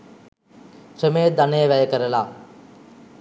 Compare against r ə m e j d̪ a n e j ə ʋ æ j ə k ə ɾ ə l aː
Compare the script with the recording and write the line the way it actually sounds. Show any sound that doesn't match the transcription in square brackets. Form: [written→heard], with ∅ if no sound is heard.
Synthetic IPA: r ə m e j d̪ a n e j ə ʋ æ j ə k ə ɾ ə l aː